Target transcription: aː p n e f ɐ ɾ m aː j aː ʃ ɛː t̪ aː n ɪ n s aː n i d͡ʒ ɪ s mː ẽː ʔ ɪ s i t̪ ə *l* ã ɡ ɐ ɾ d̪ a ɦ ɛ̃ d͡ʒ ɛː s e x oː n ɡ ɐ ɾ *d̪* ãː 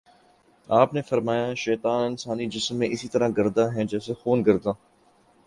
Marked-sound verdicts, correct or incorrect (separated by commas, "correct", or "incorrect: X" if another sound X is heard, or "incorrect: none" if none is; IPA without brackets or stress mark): incorrect: ɾ, correct